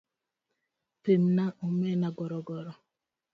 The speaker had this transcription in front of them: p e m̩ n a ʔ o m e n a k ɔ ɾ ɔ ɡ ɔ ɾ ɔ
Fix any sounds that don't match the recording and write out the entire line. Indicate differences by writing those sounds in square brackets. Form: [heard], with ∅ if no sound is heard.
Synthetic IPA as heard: p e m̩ n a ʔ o m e n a [ɡ] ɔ ɾ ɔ ɡ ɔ ɾ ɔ